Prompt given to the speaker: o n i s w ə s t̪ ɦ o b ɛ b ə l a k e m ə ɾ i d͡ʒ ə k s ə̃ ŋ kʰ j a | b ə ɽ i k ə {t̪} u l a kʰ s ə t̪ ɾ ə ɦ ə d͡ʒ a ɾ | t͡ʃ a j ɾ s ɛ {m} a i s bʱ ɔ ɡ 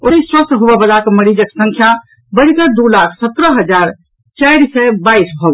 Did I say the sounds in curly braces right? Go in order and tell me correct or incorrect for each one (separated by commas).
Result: incorrect, incorrect